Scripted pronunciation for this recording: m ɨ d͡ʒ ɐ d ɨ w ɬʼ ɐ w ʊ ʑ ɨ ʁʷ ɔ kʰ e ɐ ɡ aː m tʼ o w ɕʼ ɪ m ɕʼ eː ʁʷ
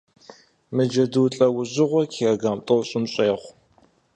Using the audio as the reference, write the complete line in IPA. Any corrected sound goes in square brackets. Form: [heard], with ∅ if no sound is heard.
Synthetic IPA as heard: m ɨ d͡ʒ ɐ d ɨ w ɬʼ ɐ w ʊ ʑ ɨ ʁʷ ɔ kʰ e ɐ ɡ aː m tʼ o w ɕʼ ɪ m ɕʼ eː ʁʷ